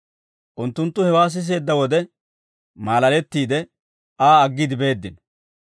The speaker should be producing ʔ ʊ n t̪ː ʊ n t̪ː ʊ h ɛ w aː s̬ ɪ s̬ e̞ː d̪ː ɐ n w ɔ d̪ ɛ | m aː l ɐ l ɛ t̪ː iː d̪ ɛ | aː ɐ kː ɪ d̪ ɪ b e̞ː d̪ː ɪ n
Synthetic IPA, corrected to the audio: ʔ ʊ n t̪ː ʊ n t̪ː ʊ h ɛ w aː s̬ ɪ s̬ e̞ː d̪ː ɐ w ɔ d̪ ɛ | m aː l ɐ l ɛ t̪ː iː d̪ ɛ | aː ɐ ɡː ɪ d̪ ɪ b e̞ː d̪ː ɪ n